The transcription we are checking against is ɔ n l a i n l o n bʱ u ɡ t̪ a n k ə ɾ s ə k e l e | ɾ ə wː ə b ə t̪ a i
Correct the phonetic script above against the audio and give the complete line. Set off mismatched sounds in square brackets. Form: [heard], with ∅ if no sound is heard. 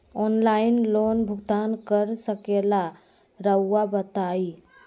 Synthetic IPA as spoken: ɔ n l a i n l o n bʱ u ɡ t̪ a n k ə ɾ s ə k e l [a] | ɾ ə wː [a] b ə t̪ a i